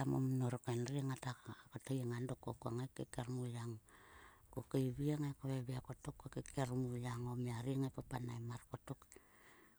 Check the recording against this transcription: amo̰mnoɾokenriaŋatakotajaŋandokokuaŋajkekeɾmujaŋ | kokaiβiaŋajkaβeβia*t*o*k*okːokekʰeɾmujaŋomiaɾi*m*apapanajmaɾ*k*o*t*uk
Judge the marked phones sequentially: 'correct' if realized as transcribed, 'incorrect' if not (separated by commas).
incorrect, incorrect, incorrect, correct, correct